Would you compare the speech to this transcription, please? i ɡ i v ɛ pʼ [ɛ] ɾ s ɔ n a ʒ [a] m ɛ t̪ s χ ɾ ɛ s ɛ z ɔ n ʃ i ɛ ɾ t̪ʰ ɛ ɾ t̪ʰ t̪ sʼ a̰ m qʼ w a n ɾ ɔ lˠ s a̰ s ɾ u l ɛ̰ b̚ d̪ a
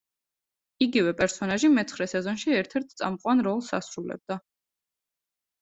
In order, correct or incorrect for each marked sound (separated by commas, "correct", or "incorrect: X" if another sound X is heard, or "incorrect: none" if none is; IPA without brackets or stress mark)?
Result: correct, incorrect: i